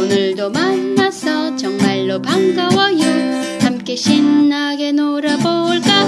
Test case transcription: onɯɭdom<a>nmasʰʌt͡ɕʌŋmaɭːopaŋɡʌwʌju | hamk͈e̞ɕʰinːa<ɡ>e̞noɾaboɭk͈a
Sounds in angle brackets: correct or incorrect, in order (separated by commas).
correct, correct